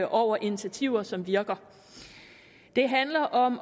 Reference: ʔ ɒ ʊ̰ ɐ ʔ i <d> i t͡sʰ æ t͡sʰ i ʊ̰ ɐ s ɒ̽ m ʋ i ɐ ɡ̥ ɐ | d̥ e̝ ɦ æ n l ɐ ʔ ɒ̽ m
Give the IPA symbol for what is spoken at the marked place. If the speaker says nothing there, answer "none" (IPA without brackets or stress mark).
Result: n